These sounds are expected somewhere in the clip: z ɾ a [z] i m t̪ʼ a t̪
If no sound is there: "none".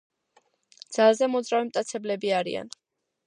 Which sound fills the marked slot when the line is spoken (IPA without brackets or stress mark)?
v